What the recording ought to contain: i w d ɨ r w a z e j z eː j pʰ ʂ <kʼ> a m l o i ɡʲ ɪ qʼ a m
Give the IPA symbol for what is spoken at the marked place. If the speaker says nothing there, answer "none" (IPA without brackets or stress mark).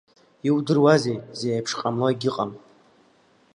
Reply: qʼ